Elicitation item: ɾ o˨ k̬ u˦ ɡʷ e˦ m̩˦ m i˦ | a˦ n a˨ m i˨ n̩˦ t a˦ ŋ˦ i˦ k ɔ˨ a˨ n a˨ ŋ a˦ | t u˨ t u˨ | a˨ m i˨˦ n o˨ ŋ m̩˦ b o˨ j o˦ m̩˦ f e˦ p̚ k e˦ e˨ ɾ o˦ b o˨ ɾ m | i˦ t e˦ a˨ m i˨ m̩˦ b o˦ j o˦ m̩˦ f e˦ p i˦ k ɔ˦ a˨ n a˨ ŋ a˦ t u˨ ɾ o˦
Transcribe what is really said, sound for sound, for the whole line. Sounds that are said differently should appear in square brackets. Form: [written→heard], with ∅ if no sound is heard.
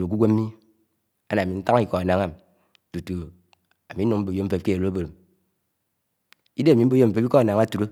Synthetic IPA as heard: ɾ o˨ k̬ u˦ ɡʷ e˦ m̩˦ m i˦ | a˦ n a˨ m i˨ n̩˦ t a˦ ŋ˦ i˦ k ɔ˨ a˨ n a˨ ŋ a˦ | t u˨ t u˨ | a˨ m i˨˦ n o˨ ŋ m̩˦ b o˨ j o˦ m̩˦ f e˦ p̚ k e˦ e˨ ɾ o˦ b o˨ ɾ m | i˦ [t→d] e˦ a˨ m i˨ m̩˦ b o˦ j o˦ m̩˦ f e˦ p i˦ k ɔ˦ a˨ n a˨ ŋ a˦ t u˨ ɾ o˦